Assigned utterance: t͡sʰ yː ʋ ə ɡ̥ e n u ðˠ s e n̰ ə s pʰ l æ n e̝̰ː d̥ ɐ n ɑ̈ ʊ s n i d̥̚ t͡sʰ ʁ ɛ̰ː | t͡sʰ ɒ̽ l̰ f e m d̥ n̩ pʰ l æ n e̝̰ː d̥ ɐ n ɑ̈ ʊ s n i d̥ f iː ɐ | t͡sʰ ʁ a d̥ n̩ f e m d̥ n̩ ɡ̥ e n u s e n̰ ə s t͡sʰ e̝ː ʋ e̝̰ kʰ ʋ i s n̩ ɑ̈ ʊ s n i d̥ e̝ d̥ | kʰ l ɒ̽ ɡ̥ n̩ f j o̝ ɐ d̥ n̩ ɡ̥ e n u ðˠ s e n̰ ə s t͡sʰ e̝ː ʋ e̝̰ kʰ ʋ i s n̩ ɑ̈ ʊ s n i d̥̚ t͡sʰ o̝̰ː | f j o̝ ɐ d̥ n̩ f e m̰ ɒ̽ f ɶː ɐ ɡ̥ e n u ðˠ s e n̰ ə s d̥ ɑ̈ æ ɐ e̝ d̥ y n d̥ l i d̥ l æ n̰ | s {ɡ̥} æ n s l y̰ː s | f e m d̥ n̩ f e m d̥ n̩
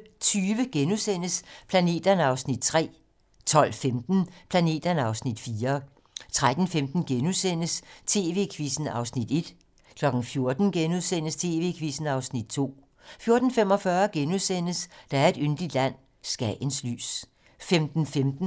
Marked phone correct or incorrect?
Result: correct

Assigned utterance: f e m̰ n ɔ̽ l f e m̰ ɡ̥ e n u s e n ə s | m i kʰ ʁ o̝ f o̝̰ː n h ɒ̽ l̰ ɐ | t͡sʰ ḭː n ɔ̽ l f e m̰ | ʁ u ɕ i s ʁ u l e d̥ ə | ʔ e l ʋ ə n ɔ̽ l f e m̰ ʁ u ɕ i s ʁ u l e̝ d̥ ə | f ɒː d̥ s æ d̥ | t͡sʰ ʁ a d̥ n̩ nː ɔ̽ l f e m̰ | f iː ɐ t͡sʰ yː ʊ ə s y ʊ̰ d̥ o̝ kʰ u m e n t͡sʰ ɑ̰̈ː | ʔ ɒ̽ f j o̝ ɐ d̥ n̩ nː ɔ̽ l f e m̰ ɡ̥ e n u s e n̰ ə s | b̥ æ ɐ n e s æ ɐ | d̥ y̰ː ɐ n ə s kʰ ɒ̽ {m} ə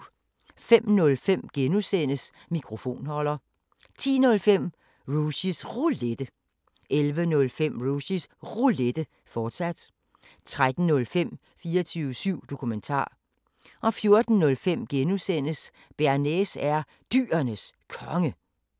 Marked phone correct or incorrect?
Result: incorrect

